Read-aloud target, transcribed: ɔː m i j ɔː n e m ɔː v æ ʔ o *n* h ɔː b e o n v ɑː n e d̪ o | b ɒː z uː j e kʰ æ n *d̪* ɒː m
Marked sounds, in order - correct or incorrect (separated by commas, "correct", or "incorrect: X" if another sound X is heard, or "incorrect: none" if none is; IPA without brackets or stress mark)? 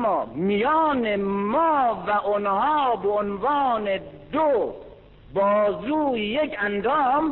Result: correct, correct